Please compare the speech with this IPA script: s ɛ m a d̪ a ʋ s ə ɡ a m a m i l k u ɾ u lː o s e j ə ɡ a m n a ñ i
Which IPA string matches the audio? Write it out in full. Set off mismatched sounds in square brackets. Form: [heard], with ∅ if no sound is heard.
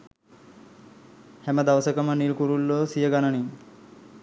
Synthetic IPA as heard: [h] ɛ m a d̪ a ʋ s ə [k] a m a [n] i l k u ɾ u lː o s [i] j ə ɡ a [∅] n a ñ i